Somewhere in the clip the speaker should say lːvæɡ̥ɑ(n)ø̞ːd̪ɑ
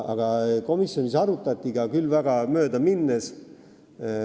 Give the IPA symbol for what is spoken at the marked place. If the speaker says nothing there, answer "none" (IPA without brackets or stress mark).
m